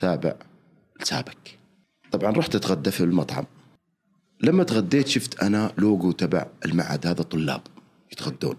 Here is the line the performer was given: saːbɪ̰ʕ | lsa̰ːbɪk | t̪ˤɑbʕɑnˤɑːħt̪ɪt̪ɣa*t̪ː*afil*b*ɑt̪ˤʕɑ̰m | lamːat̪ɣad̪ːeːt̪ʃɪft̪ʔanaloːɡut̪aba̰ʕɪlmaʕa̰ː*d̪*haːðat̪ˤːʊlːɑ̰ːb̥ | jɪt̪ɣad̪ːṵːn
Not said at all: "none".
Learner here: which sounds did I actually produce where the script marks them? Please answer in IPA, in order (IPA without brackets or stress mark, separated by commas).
d̪ː, m, d̪